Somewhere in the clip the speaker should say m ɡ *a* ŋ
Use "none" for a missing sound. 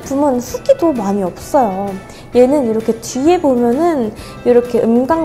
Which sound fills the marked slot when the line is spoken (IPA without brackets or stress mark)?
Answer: a